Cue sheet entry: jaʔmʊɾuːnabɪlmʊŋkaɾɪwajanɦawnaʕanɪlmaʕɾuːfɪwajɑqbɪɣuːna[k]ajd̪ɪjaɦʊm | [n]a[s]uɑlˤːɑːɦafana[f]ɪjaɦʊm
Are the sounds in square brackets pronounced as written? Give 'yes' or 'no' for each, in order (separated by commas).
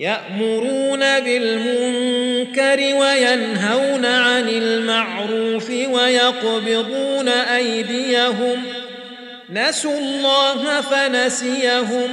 no, yes, yes, no